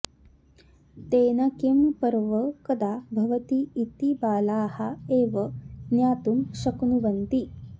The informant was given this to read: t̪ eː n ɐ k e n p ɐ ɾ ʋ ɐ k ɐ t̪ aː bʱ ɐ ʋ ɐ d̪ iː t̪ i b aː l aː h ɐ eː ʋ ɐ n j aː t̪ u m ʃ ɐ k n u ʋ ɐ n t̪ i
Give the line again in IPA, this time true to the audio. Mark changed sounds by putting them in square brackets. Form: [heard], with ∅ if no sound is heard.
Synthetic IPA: t̪ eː n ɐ k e [m] p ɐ ɾ ʋ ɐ k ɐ [d̪] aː bʱ ɐ ʋ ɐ [t̪] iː t̪ i b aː l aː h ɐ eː ʋ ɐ n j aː t̪ u m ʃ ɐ k n u ʋ ɐ n t̪ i